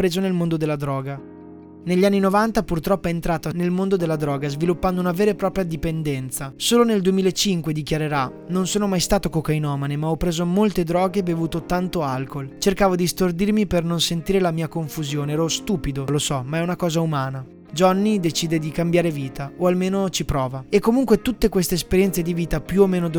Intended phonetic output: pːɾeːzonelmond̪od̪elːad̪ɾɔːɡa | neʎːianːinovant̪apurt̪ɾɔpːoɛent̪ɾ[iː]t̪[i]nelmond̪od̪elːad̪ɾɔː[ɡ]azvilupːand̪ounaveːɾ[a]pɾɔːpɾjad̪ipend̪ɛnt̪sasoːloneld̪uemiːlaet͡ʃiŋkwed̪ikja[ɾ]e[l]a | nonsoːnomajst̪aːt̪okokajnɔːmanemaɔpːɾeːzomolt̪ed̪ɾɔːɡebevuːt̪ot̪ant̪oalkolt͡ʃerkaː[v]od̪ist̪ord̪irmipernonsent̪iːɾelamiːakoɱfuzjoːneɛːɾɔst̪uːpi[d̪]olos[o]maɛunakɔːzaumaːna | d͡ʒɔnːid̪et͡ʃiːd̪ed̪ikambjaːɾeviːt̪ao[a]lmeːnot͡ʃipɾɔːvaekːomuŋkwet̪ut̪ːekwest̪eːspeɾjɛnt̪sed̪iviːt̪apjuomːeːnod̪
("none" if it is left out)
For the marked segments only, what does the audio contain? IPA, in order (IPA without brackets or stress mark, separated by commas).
aː, a, ɡ, e, ɾ, ɾ, v, d̪, ɔ, a